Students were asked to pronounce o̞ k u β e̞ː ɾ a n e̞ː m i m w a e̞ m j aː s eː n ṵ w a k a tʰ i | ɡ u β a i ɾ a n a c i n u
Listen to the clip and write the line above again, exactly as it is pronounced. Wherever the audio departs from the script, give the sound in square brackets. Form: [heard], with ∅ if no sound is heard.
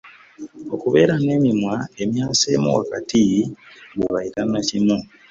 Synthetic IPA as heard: o̞ k u β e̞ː ɾ a n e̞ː m i m w a e̞ m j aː s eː [m] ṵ w a k a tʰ i | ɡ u β a i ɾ a n a c i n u